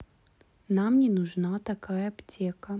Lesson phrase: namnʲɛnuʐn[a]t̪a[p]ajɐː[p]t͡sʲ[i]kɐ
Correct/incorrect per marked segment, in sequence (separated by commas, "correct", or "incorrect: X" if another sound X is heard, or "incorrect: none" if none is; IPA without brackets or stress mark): correct, incorrect: k, correct, incorrect: ɛ